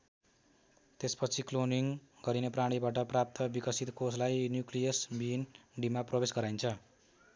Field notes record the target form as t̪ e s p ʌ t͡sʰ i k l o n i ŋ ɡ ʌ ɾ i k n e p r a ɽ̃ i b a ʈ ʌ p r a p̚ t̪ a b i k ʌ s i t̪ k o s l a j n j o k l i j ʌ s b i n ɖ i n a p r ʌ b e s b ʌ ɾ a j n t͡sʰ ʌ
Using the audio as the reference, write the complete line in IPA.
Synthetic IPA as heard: t̪ e s p ʌ t͡sʰ i k l o n i ŋ ɡ ʌ ɾ i n e p r a ɽ̃ i b a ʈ ʌ p r a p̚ t̪ ʌ b i k ʌ s i t̪ k o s l a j n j u k l i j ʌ s b i n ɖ i m a p r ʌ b e s ɡ ʌ ɾ a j n t͡sʰ ʌ